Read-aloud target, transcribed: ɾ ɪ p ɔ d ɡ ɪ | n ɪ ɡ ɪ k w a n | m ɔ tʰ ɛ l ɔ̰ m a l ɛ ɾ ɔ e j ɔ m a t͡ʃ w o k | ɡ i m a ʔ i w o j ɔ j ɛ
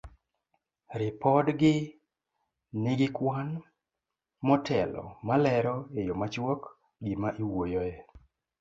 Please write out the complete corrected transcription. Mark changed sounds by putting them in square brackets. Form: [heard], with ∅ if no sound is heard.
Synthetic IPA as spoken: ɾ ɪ p ɔ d ɡ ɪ | n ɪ ɡ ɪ k w a n | m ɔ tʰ ɛ l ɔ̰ m a l ɛ ɾ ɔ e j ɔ m a t͡ʃ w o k | ɡ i m a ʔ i w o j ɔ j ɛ